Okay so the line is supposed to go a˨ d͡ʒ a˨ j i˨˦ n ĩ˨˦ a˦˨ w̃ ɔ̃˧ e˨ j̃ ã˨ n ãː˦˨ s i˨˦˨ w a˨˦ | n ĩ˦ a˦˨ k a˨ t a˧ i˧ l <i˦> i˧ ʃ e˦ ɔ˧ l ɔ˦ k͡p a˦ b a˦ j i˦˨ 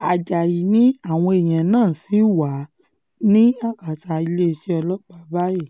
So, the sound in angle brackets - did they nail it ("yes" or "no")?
no